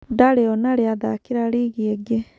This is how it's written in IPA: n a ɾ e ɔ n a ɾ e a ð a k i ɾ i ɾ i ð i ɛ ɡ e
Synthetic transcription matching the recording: d a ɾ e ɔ n a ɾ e a ð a k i ɾ a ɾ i ɣ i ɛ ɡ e